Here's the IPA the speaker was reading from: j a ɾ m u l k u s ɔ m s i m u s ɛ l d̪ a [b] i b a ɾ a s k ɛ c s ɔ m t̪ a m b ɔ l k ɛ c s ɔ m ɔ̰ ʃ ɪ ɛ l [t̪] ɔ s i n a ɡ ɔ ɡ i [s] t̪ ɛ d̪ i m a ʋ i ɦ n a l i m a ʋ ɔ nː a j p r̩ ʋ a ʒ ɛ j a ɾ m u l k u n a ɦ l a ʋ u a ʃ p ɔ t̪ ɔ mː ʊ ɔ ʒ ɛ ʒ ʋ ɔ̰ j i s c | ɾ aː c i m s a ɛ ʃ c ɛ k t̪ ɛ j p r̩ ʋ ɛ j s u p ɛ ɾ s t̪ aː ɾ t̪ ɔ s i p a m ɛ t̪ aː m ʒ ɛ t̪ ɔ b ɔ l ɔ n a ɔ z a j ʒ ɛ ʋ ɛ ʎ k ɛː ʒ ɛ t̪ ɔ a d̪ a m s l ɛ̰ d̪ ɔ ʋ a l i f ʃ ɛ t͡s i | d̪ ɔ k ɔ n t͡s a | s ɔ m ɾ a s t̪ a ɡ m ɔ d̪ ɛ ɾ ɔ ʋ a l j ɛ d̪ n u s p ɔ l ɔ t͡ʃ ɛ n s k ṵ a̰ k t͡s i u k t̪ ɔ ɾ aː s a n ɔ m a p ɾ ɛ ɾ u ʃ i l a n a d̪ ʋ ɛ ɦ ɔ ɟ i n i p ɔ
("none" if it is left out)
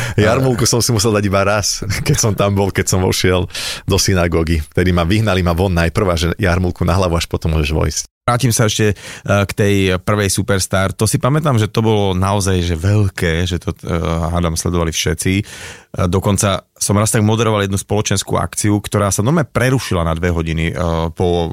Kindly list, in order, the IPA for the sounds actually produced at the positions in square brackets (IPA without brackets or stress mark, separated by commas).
ɟ, d̪, f